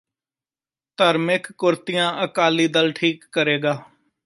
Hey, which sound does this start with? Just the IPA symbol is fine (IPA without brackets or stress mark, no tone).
t̪